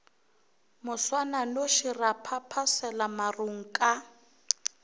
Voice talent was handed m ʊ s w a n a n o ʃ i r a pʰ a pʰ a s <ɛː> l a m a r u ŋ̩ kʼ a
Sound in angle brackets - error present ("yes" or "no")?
yes